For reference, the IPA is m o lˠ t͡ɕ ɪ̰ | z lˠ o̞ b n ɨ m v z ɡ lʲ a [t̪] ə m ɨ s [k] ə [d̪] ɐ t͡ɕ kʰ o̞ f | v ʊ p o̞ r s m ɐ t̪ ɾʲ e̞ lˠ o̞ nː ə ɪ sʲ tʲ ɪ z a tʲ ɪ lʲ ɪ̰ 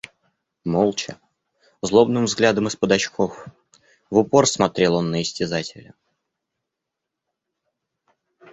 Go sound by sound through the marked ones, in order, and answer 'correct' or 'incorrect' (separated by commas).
incorrect, incorrect, correct